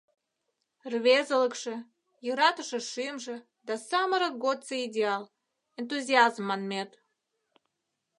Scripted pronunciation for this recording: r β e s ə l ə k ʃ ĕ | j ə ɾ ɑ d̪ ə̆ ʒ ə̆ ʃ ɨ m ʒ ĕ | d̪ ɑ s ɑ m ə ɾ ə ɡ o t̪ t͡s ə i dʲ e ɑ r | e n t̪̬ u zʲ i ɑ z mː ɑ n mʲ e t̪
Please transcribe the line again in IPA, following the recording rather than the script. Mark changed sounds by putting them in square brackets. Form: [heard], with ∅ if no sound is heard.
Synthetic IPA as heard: r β e [z] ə l ə k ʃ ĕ | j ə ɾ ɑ [t̪] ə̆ [ʃ] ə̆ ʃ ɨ m ʒ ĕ | d̪ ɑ s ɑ m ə ɾ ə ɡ o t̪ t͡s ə i dʲ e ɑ [l] | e n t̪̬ u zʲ i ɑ z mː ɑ n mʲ e t̪

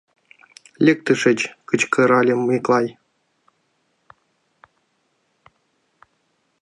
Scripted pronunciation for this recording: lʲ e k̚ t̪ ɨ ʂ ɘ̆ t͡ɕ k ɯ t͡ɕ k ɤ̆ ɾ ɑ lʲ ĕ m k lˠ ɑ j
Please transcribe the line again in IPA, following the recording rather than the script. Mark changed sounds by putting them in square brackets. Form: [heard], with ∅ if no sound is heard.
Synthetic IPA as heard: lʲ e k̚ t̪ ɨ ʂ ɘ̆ t͡ɕ k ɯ t͡ɕ k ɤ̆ ɾ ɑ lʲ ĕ m k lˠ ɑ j

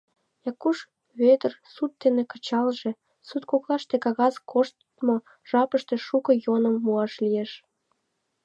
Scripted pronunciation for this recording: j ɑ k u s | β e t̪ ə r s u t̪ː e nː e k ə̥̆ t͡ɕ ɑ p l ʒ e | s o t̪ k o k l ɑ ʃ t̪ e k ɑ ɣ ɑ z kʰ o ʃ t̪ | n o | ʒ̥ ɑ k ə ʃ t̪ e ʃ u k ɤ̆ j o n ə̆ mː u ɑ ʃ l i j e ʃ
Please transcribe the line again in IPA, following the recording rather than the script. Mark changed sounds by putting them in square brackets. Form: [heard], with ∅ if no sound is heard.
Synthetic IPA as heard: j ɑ k u [ʃ] | β e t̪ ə r s u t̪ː e [n] e k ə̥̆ t͡ɕ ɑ [∅] l ʒ e | s [u] t̪ k o k l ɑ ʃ t̪ e k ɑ ɣ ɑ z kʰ o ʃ t̪ | [m] o | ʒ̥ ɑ [p] ə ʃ t̪ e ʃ u k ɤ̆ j o n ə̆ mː u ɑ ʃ l i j e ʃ

